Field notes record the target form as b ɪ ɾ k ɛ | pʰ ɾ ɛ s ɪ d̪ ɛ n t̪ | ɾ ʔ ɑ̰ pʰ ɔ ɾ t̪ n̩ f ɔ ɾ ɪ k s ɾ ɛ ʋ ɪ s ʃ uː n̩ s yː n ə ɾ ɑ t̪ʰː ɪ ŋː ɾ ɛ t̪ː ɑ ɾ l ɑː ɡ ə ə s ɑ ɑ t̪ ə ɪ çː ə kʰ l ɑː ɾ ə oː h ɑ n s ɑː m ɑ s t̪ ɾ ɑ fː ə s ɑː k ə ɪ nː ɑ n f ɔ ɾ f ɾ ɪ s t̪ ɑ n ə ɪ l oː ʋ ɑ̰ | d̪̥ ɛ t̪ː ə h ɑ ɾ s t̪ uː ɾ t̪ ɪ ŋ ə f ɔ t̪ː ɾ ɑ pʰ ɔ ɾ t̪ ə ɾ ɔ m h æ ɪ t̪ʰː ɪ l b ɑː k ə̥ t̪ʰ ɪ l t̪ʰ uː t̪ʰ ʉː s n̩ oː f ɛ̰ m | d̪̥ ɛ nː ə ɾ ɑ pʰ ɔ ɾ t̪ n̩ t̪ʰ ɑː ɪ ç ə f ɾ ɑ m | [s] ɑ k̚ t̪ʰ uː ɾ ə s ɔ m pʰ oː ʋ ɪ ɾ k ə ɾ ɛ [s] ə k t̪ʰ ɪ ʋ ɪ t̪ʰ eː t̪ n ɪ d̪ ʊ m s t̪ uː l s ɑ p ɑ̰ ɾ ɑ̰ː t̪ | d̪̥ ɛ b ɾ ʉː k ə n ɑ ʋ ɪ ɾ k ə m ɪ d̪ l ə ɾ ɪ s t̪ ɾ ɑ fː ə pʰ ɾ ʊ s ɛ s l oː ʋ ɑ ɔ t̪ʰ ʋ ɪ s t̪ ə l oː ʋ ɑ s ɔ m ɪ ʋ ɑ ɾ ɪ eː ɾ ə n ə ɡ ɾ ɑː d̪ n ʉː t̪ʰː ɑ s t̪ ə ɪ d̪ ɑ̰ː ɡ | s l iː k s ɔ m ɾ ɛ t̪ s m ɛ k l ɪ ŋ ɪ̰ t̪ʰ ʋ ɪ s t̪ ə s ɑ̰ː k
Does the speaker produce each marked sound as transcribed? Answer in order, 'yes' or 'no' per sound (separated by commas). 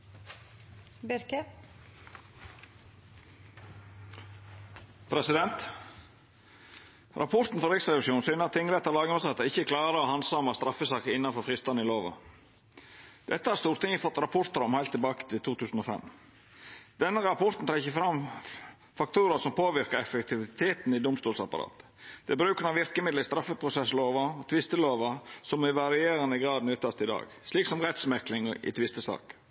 no, no